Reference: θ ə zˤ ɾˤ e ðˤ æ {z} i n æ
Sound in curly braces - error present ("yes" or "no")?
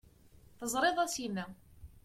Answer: yes